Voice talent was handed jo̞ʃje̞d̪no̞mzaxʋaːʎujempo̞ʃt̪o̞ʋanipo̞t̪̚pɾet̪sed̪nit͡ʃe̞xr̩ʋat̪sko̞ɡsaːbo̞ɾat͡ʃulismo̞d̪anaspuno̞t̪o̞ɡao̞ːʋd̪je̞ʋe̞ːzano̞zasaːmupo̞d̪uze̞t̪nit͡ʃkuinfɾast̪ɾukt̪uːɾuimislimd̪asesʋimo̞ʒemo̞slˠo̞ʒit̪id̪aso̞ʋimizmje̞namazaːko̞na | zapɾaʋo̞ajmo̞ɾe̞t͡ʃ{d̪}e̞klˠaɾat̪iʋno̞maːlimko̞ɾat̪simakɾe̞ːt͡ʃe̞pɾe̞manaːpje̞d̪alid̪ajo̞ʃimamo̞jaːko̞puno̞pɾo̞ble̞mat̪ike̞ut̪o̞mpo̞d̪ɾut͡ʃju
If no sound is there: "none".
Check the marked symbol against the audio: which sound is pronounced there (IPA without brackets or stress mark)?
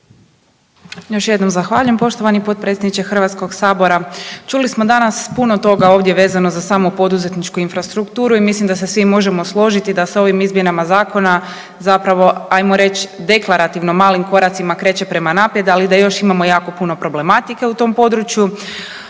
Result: d̪